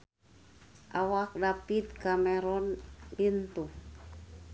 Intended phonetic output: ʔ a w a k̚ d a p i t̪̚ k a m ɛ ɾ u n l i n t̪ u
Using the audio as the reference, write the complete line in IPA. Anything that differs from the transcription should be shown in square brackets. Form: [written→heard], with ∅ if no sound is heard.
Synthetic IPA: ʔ a w a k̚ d a p i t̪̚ k a m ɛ ɾ [u→ɔ] n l i n t̪ u